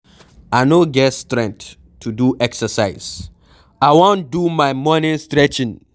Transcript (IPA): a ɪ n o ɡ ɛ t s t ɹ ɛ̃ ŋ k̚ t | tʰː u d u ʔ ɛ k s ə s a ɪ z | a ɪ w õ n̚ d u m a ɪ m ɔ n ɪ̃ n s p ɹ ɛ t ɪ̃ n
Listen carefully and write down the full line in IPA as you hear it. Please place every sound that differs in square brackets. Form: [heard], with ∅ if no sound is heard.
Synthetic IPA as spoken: a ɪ n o ɡ ɛ t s t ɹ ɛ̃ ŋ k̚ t | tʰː u d u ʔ ɛ k s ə s a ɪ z | a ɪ w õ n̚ d u m a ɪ m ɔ n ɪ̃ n s [t] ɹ ɛ [t͡ʃ] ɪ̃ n